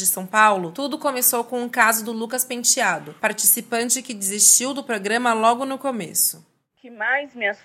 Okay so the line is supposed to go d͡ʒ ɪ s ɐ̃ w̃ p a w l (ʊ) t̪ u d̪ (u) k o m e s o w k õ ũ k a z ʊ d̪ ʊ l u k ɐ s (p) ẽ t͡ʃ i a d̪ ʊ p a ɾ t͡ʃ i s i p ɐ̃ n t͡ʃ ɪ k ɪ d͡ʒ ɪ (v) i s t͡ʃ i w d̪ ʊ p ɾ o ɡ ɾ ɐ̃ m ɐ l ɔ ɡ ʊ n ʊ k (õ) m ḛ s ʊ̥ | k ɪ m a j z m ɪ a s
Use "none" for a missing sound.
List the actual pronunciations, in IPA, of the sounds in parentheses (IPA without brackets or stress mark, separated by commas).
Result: ʊ, ʊ, p, z, o